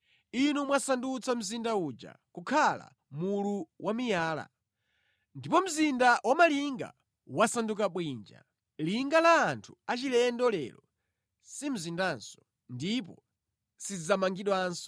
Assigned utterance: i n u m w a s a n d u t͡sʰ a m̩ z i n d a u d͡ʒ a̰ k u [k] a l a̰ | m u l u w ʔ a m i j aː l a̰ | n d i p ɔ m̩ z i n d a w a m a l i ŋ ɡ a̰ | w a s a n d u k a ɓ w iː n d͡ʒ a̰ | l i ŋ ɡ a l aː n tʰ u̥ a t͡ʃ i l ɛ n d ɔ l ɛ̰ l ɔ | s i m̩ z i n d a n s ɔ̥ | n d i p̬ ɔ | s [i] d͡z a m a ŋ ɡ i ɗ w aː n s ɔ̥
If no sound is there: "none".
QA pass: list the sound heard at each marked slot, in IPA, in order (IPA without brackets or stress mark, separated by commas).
kʰ, i